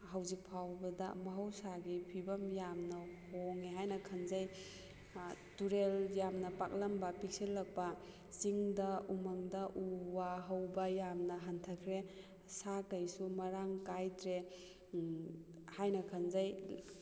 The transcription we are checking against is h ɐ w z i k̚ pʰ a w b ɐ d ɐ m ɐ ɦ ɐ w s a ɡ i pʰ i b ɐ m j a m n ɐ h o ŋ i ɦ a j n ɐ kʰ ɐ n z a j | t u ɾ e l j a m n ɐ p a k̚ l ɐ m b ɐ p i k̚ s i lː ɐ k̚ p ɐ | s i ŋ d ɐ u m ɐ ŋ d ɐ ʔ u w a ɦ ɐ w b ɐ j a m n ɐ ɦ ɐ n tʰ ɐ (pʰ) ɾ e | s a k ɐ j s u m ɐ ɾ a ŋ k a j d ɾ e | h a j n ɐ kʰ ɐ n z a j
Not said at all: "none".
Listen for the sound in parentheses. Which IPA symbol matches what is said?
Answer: kʰ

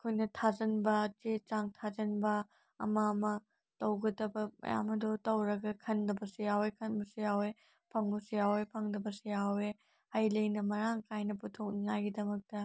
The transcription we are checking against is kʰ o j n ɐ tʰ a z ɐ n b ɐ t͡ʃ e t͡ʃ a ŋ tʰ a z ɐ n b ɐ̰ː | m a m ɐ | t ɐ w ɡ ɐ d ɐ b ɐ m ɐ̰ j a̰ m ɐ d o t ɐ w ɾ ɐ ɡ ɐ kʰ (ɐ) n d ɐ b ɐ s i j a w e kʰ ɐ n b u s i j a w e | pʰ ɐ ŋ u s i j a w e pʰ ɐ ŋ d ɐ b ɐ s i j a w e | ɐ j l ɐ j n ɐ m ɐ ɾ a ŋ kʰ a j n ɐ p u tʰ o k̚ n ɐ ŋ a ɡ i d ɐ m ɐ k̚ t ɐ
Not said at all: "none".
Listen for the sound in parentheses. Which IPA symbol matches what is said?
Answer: ɐ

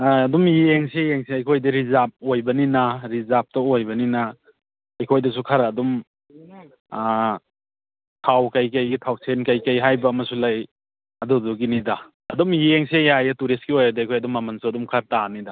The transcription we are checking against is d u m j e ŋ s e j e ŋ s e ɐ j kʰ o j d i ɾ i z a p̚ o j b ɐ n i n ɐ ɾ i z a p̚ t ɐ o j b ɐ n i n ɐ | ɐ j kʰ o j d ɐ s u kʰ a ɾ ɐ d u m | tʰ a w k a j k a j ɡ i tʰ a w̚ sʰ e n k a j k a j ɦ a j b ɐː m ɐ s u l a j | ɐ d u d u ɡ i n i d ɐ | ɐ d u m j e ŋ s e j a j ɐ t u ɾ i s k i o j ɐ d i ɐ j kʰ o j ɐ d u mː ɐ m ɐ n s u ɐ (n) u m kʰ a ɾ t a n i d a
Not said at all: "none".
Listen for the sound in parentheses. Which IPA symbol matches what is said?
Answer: d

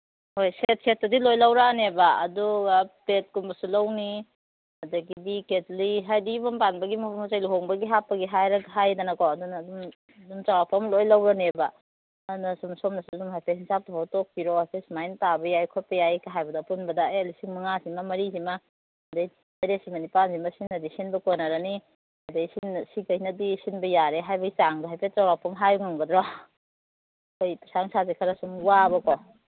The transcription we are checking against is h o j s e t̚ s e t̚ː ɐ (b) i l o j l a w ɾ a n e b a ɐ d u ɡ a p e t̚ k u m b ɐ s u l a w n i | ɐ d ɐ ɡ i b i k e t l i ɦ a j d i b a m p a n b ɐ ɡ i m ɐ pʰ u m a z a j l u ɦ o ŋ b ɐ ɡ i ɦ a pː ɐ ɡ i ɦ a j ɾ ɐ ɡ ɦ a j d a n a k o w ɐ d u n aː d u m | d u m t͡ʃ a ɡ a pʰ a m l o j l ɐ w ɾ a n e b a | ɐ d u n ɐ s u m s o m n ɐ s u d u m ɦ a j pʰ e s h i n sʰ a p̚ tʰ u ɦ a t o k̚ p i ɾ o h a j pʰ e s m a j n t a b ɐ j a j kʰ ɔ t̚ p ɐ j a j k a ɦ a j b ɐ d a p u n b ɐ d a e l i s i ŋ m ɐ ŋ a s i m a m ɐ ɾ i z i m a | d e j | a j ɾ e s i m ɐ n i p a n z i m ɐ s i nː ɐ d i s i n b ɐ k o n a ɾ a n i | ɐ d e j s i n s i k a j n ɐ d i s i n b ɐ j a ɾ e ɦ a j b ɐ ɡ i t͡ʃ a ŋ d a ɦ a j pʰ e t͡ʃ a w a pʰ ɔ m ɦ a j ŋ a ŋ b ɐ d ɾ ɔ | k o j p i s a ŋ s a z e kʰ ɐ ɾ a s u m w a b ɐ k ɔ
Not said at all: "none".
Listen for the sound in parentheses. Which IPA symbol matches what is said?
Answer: d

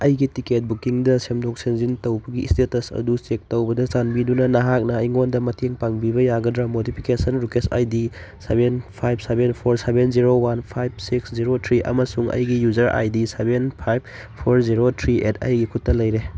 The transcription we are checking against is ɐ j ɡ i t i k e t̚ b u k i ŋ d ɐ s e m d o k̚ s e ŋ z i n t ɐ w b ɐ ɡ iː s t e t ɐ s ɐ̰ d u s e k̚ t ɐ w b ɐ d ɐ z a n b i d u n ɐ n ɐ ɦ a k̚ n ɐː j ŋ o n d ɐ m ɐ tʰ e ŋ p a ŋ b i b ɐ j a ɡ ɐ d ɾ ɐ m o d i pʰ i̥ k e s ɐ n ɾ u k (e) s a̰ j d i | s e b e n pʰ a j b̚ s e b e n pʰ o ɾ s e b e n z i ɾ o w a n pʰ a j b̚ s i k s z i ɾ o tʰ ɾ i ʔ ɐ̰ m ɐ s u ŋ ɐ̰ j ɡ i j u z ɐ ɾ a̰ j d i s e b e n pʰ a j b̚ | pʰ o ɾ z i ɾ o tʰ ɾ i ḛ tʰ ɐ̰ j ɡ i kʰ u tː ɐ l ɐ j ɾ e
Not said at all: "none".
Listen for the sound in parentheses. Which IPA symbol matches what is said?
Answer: e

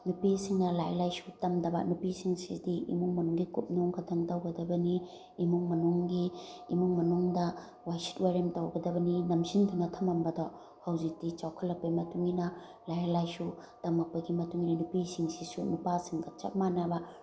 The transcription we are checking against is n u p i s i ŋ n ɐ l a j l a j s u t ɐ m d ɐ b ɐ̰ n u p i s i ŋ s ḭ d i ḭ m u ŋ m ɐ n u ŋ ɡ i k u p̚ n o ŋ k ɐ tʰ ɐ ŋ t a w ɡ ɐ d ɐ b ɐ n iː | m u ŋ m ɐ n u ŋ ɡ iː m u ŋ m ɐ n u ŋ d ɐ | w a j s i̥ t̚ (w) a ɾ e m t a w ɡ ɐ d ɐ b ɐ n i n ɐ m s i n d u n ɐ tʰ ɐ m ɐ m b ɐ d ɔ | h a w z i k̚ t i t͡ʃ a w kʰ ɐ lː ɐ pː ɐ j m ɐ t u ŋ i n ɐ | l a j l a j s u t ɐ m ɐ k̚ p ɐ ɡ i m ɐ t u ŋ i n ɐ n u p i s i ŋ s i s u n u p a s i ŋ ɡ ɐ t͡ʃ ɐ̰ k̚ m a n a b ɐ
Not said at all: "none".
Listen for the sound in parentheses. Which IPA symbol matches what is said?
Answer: w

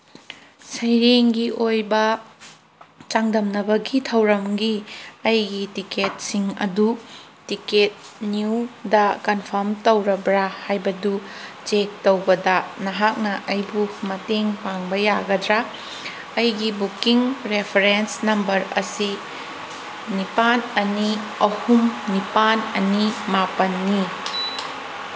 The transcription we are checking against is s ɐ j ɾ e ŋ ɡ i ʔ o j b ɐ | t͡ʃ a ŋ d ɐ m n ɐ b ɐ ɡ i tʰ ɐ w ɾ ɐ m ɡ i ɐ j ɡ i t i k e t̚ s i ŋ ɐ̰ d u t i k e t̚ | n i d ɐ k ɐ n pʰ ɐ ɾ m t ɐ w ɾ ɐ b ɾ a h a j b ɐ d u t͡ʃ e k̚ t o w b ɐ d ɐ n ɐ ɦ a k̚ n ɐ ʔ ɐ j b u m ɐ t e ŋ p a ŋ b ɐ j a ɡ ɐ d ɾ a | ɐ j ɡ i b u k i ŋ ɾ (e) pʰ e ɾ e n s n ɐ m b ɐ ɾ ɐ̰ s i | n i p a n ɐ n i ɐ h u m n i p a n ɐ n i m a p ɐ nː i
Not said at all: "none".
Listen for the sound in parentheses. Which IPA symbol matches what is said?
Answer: e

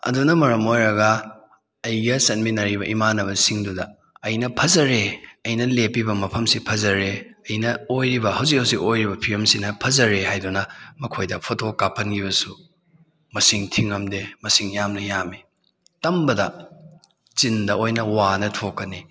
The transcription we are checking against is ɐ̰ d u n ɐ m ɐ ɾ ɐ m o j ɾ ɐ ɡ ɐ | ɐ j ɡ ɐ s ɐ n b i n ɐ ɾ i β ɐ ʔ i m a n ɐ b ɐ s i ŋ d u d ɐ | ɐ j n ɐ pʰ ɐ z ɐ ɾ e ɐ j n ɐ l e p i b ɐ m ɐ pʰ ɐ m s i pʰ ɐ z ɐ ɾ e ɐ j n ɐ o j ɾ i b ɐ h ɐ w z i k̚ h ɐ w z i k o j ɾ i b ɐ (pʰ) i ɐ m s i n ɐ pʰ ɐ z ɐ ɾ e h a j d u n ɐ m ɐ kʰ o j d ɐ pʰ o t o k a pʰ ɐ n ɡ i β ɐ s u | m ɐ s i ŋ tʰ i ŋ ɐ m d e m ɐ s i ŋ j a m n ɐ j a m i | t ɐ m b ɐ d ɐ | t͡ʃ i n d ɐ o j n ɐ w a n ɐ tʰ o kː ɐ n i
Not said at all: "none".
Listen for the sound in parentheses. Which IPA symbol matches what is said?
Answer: pʰ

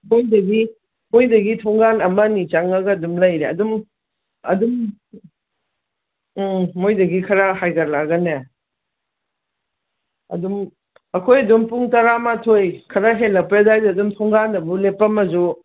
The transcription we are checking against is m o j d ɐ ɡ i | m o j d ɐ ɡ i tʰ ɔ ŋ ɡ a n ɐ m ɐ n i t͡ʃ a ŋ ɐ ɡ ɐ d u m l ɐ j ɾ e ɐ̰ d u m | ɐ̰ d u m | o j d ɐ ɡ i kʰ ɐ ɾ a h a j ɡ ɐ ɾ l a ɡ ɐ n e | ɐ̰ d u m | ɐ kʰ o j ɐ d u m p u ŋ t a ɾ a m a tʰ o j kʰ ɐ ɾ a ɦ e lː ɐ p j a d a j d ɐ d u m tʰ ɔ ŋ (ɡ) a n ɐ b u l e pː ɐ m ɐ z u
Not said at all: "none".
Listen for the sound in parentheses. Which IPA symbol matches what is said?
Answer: ɡ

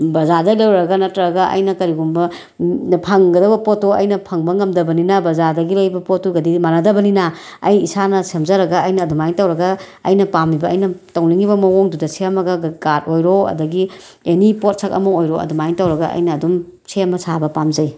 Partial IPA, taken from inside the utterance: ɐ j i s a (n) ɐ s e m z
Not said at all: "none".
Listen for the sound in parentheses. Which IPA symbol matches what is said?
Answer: n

